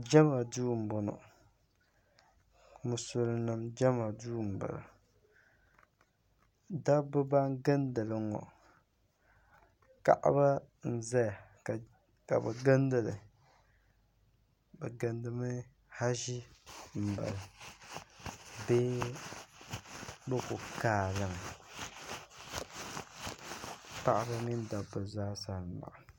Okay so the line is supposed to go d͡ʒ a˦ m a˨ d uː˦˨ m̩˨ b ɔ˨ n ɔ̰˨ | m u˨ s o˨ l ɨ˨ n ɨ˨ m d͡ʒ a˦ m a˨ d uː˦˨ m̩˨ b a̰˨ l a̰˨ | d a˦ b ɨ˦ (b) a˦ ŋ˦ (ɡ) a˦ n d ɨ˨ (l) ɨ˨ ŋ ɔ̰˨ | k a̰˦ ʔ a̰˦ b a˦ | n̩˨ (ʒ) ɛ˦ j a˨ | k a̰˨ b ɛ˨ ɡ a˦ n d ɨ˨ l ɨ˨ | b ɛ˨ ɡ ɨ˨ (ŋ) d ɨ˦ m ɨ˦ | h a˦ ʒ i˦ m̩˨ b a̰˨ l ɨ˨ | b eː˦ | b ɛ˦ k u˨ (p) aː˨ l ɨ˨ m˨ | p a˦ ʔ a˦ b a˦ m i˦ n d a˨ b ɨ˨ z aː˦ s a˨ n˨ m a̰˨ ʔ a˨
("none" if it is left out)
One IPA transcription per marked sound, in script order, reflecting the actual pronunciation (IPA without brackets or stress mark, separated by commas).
b, ɡ, l, z, n, k